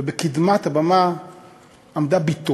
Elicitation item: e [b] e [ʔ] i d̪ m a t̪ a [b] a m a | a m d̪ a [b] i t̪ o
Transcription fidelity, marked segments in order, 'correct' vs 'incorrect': correct, incorrect: k, correct, correct

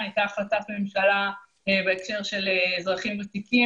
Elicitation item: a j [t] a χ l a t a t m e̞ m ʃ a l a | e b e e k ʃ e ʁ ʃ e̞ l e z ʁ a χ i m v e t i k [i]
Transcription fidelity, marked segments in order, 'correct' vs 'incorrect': correct, correct

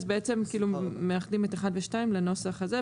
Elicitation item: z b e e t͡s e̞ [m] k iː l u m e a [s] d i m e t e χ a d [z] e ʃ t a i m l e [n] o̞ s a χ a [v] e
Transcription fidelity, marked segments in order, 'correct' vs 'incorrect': correct, incorrect: χ, incorrect: v, correct, incorrect: z

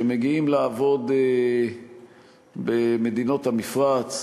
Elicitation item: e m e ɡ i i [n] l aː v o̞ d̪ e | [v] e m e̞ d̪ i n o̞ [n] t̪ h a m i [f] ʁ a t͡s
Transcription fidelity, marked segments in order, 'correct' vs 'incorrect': incorrect: m, incorrect: b, incorrect: none, correct

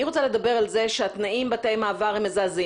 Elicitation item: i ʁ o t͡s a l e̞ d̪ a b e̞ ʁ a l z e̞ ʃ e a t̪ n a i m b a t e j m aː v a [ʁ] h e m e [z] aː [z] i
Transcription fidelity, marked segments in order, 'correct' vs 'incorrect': correct, correct, correct

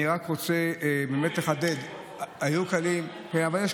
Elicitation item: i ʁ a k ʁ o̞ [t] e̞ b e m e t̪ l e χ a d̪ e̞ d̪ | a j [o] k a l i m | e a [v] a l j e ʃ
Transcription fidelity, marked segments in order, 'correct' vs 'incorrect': incorrect: t͡s, incorrect: u, correct

